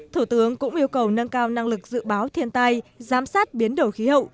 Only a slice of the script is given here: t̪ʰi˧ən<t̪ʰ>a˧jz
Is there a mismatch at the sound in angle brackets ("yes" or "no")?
yes